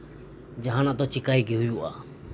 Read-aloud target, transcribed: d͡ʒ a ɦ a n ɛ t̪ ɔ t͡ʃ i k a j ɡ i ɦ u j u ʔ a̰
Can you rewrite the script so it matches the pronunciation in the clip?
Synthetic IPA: d͡ʒ a ɦ a n a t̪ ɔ t͡ʃ i k a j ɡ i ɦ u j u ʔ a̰